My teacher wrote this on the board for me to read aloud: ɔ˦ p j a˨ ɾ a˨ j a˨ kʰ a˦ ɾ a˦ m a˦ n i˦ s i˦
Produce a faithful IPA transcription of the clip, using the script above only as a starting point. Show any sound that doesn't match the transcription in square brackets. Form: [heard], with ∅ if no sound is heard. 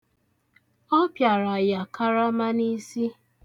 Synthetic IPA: ɔ˦ p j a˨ ɾ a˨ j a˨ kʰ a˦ ɾ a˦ m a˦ n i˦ s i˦